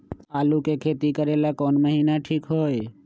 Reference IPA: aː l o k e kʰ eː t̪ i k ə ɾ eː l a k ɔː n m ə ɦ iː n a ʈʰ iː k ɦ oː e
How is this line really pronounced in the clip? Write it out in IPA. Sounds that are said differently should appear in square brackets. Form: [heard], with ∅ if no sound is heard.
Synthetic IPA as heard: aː l [u] k e kʰ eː t̪ i k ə ɾ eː l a k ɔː n m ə ɦ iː n a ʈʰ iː k ɦ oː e